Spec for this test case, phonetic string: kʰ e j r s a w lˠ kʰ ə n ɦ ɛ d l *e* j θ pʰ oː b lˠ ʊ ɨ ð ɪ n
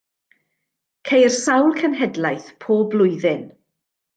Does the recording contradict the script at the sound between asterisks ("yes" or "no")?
yes